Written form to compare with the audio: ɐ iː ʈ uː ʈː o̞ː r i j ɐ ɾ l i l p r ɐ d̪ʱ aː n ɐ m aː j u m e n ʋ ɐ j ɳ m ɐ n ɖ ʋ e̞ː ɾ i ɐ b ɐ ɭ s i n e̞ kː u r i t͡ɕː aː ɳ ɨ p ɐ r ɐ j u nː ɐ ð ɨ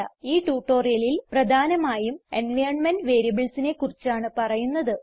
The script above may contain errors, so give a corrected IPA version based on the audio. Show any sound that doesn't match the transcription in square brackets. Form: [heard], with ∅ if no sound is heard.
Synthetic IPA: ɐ iː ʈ uː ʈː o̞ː r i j ɐ [∅] l i l p r ɐ d̪ʱ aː n ɐ m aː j u m e n ʋ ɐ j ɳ m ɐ n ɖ ʋ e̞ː ɾ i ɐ b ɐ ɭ s i n e̞ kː u r i t͡ɕː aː ɳ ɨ p ɐ r ɐ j u nː ɐ ð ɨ